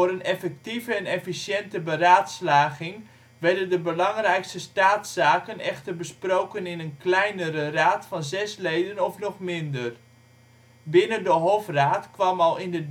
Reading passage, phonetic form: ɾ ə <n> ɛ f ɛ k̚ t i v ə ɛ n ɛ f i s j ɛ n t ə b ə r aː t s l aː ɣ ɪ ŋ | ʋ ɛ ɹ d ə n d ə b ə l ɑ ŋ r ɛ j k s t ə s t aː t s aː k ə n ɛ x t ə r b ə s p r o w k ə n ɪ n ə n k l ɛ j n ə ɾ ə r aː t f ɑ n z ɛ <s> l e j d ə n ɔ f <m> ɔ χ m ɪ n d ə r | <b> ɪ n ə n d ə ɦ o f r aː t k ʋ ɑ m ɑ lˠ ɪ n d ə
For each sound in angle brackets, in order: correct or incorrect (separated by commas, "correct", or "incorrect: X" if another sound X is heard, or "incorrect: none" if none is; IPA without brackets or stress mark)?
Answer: correct, correct, incorrect: n, correct